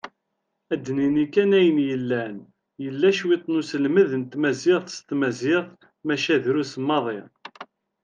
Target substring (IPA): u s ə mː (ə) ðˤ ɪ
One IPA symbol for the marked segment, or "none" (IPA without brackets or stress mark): ɑ